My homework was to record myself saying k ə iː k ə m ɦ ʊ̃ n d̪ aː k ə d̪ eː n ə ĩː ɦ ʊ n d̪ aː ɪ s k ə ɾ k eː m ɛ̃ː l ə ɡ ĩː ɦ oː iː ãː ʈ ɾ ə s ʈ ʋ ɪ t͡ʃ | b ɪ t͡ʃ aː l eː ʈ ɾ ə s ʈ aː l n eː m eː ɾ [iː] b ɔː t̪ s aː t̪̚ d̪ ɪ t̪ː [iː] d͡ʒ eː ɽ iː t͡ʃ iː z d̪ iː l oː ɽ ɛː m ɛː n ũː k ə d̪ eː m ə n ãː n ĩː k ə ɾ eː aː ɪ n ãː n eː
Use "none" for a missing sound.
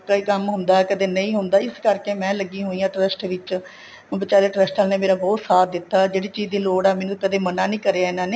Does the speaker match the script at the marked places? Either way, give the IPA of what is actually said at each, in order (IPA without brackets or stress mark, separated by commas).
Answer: aː, aː